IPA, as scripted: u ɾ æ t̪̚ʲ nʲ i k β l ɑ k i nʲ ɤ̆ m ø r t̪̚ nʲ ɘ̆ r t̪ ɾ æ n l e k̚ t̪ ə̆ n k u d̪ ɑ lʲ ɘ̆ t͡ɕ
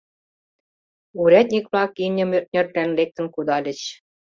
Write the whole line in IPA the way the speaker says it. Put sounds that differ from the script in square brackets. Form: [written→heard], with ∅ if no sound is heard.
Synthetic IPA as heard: u ɾ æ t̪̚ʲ nʲ i k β l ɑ k i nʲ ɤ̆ m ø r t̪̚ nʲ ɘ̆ r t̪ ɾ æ n l e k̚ t̪ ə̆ n k u d̪ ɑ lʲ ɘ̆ t͡ɕ